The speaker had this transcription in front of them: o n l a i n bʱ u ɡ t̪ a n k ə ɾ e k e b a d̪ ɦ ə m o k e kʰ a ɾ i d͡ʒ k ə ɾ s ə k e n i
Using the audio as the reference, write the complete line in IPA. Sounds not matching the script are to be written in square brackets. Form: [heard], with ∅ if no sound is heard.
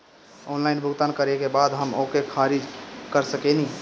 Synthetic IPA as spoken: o n l a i n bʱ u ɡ t̪ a n k ə ɾ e k e b a d̪ ɦ ə m o k e kʰ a ɾ i d͡ʒ k ə ɾ s ə k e n i